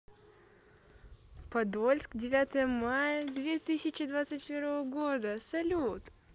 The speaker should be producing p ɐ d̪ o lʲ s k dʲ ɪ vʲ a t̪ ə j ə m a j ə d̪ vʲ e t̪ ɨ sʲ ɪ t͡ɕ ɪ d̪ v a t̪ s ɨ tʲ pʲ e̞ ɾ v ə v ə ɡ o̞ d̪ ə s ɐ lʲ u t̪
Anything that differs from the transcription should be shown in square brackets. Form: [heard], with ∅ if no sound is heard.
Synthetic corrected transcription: p ɐ d̪ o lʲ s k dʲ ɪ vʲ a t̪ ə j ə m a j ə d̪ vʲ e t̪ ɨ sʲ ɪ t͡ɕ ɪ d̪ v a t̪ s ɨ tʲ pʲ e̞ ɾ v ə v ə ɡ o̞ d̪ ə s ɐ lʲ u t̪